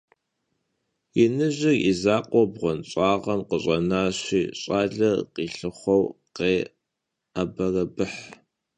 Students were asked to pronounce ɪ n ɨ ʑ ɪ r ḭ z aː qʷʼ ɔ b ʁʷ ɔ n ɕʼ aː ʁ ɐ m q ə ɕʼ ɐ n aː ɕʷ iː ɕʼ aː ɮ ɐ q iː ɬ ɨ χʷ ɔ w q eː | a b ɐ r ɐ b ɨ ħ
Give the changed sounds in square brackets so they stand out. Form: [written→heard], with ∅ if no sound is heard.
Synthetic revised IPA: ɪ n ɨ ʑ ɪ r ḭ z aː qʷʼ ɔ b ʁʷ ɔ n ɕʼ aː ʁ ɐ m q ə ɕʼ ɐ n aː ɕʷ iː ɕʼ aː ɮ ɐ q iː ɬ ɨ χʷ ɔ w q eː | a b ɐ r ɐ b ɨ ħ